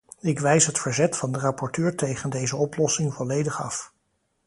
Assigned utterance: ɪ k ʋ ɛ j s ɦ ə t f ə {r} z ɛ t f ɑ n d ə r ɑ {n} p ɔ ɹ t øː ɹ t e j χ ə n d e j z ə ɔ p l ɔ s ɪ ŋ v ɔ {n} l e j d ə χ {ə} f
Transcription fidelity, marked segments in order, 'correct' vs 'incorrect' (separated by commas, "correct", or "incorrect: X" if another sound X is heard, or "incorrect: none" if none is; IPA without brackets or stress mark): incorrect: ɹ, incorrect: none, incorrect: none, incorrect: ɑ